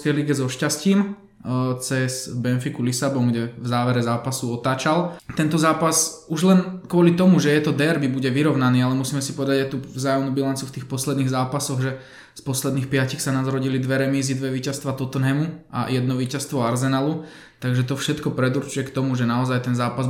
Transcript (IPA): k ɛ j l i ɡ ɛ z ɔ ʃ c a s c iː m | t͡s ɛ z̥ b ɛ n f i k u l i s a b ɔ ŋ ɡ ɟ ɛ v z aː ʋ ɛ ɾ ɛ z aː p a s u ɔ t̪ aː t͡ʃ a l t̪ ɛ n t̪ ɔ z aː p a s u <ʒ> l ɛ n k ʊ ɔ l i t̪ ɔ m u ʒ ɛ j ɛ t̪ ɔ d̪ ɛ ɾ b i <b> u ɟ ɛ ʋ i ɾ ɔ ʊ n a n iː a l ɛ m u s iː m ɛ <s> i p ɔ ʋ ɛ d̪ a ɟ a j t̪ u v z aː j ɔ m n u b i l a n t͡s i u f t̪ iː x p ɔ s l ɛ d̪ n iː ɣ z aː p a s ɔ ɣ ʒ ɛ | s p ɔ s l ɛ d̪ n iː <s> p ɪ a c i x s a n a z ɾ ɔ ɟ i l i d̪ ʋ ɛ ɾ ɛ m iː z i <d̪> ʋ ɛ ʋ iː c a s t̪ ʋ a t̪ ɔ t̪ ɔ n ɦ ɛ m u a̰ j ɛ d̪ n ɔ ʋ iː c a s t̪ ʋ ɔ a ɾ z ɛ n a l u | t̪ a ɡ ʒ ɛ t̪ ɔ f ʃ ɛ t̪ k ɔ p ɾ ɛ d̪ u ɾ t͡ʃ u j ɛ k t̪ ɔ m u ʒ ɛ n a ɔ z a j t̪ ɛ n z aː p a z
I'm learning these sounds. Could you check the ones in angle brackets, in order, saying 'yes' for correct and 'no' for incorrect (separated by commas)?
yes, yes, yes, no, yes